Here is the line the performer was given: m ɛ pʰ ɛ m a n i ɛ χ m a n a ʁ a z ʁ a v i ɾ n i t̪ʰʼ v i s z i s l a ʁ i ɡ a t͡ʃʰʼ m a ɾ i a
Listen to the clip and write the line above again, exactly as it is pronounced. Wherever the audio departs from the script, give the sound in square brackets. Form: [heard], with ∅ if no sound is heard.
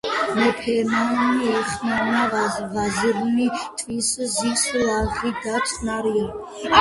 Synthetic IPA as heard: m ɛ pʰ ɛ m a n i ɛ χ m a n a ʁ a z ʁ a [z] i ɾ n i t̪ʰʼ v i s z i s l a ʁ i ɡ a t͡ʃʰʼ [n] a ɾ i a